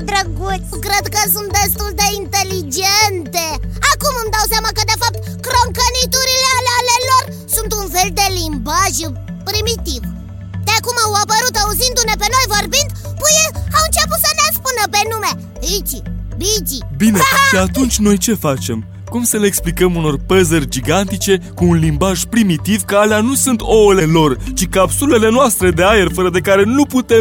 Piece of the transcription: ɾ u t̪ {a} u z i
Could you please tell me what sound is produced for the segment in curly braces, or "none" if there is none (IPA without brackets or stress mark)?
a